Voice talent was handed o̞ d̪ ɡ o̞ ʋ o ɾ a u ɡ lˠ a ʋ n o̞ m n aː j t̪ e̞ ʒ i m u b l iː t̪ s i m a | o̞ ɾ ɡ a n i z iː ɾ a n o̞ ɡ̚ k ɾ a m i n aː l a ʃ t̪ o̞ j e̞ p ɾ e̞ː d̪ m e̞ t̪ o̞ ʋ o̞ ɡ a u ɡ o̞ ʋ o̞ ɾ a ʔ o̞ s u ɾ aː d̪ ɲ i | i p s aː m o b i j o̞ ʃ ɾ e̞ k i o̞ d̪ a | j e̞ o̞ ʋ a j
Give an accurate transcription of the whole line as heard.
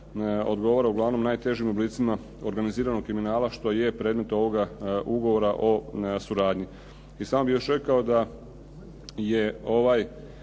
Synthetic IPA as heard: o̞ d̪ ɡ o̞ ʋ o ɾ a u ɡ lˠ a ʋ n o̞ m n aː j t̪ e̞ ʒ i m u b l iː t̪ s i m a | o̞ ɾ ɡ a n i z iː ɾ a n o̞ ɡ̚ k ɾ i m i n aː l a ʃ t̪ o̞ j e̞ p ɾ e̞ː d̪ m e̞ t̪ o̞ ʋ o̞ ɡ a u ɡ o̞ ʋ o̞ ɾ a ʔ o̞ s u ɾ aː d̪ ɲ i | i s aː m o b i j o̞ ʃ ɾ e̞ k a o̞ d̪ a | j e̞ o̞ ʋ a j